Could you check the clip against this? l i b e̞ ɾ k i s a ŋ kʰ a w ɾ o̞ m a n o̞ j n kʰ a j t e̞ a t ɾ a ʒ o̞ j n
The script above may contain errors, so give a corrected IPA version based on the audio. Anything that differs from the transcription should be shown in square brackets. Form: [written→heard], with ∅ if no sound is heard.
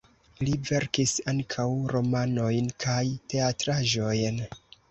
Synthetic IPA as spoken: l i [b→v] e̞ ɾ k i s a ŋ kʰ a w ɾ o̞ m a n o̞ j n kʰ a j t e̞ a t ɾ a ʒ o̞ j n

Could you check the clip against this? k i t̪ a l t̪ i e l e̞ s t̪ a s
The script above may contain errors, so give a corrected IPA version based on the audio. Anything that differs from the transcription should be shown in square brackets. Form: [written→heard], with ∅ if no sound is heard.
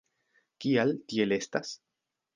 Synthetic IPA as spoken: k i [t̪→∅] a l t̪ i e l e̞ s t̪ a s

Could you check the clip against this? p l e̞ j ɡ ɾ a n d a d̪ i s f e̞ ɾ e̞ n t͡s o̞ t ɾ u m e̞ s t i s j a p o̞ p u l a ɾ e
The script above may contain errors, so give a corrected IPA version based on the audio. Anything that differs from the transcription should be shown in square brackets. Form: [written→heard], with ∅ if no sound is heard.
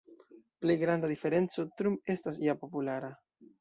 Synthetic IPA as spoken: p l e̞ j ɡ ɾ a n d a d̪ i [s→∅] f e̞ ɾ e̞ n t͡s o̞ t ɾ u m e̞ s t [i→a] s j a p o̞ p u l a ɾ [e→a]

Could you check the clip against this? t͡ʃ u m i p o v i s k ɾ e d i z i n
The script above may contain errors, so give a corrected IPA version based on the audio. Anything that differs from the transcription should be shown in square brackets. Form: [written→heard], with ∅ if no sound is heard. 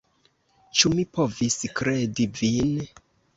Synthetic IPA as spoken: t͡ʃ u m i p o v i s k ɾ e d i [z→v] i n

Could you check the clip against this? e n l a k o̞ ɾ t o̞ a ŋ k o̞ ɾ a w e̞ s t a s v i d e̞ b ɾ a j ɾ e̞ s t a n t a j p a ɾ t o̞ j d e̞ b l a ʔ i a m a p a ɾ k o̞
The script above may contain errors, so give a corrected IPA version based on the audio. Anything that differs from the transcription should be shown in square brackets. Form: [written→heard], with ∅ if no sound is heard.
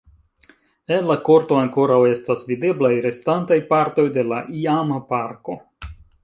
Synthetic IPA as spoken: e n l a k o̞ ɾ t o̞ a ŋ k o̞ ɾ a w e̞ s t a s v i d e̞ b [ɾ→l] a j ɾ e̞ s t a n t a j p a ɾ t o̞ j d e̞ [b→∅] l a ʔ i a m a p a ɾ k o̞

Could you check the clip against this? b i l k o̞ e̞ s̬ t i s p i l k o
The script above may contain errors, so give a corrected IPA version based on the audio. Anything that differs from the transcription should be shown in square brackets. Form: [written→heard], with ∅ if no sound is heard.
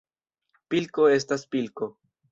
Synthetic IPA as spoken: [b→p] i l k o̞ e̞ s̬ t [i→a] s p i l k o

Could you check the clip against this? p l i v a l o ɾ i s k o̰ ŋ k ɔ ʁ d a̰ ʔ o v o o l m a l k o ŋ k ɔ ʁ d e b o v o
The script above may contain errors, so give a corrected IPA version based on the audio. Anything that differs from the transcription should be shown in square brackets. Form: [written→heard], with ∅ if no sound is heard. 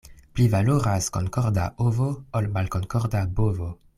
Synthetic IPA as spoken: p l i v a l o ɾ [i→a] s k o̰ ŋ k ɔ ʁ d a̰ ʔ o v o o l m a l k o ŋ k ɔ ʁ d [e→a] b o v o

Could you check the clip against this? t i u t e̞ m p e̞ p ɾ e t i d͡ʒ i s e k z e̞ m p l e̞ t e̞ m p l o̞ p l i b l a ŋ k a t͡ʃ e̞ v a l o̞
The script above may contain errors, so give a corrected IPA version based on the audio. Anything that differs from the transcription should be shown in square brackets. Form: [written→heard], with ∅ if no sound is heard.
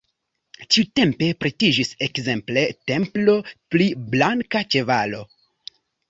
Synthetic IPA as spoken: [t→t͡ʃ] i u t e̞ m p e̞ p ɾ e t i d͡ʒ i s e k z e̞ m p l e̞ t e̞ m p l o̞ p l i b l a ŋ k a t͡ʃ e̞ v a l o̞

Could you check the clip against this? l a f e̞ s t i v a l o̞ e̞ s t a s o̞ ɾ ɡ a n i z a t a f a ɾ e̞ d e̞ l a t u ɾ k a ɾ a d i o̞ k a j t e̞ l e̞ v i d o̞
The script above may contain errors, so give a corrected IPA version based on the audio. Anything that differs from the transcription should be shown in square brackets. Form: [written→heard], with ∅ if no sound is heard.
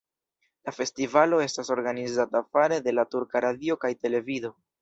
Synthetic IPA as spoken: l a f e̞ s t i v a l o̞ e̞ s t a s o̞ ɾ ɡ a n i z a t a f a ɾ e̞ d e̞ l a t u ɾ k a ɾ a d i o̞ k a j t e̞ l e̞ v i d o̞

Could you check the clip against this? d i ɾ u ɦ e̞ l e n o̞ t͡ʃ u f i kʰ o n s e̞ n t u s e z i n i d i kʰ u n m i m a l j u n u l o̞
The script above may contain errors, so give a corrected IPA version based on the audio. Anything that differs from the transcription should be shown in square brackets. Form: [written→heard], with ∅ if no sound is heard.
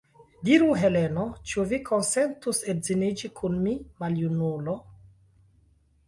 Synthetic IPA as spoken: d i ɾ u ɦ e̞ l e n o̞ t͡ʃ u [f→v] i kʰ o n s e̞ n t u s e z i n i [d→d͡ʒ] i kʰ u n m i m a l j u n u l o̞

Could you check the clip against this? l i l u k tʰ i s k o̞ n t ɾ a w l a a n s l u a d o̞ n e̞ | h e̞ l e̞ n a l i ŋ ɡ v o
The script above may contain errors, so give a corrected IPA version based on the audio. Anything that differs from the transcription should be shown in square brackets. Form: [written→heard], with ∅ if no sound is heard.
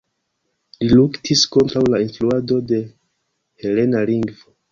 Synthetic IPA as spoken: l i l u k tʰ i s k o̞ n t ɾ a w l a [a→i] n [s→f] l u a d o̞ [n→d] e̞ | h e̞ l e̞ n a l i ŋ ɡ v o

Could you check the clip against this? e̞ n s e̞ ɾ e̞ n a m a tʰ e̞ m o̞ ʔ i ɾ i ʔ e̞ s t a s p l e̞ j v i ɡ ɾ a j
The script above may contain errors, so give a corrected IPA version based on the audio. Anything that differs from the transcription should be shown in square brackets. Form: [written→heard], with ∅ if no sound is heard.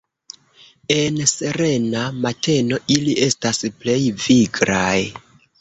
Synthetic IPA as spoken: e̞ n s e̞ ɾ e̞ n a m a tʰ e̞ [m→n] o̞ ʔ i [ɾ→l] i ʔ e̞ s t a s p l e̞ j v i ɡ ɾ a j

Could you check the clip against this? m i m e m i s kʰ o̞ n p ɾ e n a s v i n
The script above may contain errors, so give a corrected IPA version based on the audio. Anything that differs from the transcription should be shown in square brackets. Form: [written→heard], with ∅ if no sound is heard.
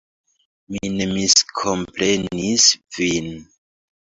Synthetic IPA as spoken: m i [m→n] e m i s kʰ o̞ [n→m] p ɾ e n [a→i] s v i n

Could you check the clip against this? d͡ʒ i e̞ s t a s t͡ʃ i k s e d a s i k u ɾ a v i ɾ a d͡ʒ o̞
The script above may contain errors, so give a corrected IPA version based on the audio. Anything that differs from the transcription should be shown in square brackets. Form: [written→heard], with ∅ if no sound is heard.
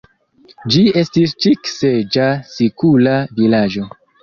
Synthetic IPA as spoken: d͡ʒ i e̞ s t [a→i] s t͡ʃ i k s e [d→d͡ʒ] a s i k u [ɾ→l] a v i [ɾ→l] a d͡ʒ o̞

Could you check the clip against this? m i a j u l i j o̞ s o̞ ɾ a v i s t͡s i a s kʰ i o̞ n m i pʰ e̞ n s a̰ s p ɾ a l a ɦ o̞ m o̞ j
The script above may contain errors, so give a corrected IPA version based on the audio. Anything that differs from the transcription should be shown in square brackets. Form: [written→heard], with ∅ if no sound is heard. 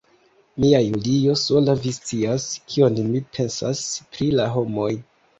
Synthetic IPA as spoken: m i a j u l i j o̞ s o̞ [ɾ→l] a v i s t͡s i a s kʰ i o̞ n m i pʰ e̞ n s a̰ s p ɾ [a→i] l a ɦ o̞ m o̞ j

